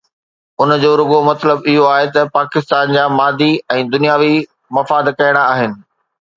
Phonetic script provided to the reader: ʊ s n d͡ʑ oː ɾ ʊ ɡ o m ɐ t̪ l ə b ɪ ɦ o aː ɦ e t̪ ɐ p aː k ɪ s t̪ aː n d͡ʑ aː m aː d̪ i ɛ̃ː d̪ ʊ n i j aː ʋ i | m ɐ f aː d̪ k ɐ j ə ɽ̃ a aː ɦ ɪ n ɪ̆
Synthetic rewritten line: ʊ n d͡ʑ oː ɾ ʊ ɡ o m ɐ t̪ l ə b ɪ ɦ o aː ɦ e t̪ ɐ p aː k ɪ s t̪ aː n d͡ʑ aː m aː d̪ i ɛ̃ː d̪ ʊ n i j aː ʋ i | m ɐ f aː d̪ k ɐ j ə ɽ̃ a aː ɦ ɪ n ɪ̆